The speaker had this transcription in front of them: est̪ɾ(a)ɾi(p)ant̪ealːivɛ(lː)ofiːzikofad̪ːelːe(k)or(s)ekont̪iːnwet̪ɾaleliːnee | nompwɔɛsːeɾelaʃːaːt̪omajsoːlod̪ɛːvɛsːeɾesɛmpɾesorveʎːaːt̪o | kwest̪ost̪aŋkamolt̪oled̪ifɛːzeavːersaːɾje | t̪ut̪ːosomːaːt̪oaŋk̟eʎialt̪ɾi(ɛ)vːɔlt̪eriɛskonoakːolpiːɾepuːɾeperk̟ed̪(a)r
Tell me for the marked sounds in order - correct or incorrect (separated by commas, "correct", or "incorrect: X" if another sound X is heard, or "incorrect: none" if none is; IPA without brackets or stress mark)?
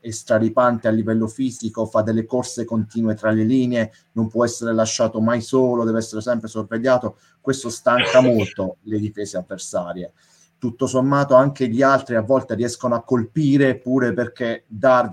correct, correct, correct, correct, correct, incorrect: a, correct